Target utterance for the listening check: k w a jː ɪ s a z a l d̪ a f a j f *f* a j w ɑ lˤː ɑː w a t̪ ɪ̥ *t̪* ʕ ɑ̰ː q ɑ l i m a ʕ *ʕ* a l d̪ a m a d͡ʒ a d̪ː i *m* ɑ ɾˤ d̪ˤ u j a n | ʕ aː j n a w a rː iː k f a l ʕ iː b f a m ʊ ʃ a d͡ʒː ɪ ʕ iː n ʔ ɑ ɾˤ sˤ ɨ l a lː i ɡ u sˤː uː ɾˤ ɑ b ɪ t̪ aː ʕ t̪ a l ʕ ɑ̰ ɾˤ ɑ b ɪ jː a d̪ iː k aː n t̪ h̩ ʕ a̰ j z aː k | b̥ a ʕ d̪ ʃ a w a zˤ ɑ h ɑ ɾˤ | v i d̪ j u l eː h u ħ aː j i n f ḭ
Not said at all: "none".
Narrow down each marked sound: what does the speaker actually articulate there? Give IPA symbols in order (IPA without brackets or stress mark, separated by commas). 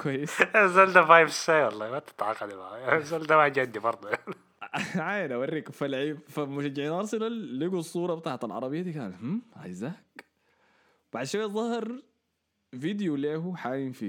s, t̪, z, b